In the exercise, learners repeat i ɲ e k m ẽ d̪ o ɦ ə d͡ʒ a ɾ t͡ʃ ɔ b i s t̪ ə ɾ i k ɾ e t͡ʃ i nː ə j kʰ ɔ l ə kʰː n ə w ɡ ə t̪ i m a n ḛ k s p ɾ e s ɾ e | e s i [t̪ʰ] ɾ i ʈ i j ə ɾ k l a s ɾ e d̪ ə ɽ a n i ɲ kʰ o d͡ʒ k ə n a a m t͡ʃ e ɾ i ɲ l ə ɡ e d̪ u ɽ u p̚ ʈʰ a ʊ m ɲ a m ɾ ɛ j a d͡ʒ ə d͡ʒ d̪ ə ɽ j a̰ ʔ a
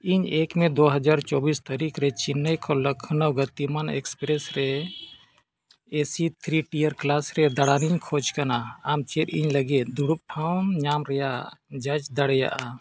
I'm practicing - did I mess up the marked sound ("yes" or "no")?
no